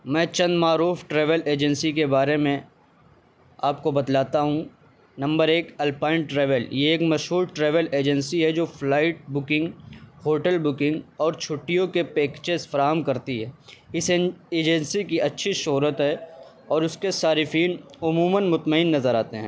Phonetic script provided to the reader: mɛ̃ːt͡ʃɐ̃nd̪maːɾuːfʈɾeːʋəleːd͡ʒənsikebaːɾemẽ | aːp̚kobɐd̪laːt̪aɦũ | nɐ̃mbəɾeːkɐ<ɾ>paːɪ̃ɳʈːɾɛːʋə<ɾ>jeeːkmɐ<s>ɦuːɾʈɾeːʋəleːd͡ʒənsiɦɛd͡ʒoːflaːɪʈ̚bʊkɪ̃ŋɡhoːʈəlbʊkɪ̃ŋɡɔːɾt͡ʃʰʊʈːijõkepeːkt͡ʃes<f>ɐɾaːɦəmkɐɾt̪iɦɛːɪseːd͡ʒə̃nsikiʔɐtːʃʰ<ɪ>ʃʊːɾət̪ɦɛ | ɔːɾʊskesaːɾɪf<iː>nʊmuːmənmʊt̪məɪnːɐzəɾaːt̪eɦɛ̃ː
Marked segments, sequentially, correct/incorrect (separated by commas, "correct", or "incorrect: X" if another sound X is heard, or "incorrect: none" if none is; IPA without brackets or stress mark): incorrect: l, incorrect: l, incorrect: ʃ, correct, incorrect: i, correct